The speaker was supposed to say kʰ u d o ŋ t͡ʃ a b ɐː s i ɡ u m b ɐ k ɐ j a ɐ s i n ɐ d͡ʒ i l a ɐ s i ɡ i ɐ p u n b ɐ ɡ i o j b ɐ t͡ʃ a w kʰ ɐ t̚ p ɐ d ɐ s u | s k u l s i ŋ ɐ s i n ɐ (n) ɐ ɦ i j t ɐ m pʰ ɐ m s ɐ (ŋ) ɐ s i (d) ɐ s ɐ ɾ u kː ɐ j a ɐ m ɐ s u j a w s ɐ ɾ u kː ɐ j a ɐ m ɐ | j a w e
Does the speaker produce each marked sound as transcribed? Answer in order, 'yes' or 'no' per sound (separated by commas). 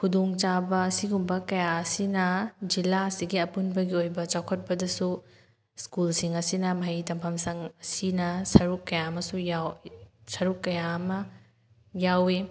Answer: no, yes, no